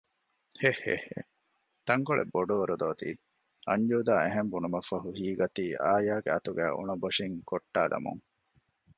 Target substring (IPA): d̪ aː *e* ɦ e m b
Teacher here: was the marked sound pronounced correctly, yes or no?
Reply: yes